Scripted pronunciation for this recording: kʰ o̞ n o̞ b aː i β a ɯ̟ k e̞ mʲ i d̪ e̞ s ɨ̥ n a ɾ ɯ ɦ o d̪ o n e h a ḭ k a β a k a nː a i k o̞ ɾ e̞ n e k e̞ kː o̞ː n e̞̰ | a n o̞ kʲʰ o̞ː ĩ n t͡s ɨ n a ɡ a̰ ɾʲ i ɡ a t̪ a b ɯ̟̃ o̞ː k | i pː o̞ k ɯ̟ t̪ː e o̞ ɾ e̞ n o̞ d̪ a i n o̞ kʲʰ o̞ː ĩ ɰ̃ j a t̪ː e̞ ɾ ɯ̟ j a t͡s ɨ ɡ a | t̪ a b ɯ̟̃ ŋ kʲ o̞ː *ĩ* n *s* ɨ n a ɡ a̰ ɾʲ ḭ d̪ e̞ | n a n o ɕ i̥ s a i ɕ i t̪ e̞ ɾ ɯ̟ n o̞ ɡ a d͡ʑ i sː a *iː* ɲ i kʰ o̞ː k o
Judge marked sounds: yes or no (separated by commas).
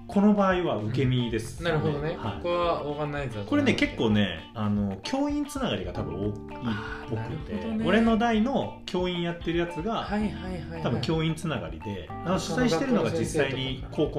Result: yes, no, no